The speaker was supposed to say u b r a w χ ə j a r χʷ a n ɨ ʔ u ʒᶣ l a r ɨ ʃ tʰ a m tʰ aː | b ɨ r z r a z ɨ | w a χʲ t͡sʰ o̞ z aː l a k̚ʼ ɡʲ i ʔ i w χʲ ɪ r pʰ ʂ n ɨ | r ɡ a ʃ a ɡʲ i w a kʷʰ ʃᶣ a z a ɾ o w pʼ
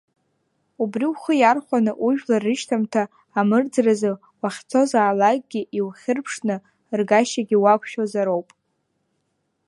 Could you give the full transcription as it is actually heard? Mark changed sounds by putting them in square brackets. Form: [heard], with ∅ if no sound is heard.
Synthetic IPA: u b r [i] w χ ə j a r χʷ a n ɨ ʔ u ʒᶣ l a r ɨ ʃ tʰ a m tʰ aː | [m] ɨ r [d͡z] r a z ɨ | w a χʲ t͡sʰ o̞ z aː l a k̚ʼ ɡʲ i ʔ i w χʲ ɪ r pʰ ʂ n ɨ | r ɡ a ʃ a ɡʲ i w a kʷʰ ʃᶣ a z a ɾ o w pʼ